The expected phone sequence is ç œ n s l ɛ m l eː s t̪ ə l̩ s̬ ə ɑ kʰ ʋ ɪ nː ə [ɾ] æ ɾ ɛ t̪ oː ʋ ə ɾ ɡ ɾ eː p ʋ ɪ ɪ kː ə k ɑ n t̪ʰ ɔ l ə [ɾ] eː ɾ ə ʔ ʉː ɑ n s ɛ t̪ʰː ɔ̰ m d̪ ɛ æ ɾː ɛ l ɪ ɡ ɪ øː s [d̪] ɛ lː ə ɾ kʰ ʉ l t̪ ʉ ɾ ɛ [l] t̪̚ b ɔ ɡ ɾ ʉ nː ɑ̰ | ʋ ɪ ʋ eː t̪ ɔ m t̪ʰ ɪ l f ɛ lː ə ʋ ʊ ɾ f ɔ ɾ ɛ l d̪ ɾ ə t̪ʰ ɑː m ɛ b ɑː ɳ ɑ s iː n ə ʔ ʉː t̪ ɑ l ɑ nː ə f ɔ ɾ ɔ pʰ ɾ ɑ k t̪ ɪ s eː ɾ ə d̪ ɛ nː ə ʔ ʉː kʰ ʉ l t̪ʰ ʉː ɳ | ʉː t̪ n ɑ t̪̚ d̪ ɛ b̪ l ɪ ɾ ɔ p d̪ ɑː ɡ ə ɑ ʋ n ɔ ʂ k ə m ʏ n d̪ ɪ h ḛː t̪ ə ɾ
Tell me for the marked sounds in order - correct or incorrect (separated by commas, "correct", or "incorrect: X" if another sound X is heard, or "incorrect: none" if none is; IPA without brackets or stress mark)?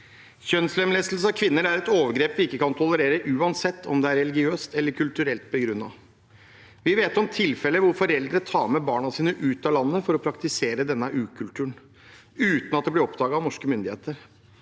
correct, correct, incorrect: t̪, correct